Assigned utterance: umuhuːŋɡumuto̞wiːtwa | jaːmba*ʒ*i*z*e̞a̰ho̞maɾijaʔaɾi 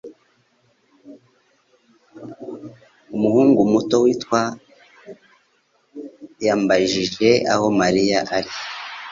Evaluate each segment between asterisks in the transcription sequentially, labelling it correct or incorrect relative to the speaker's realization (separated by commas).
correct, incorrect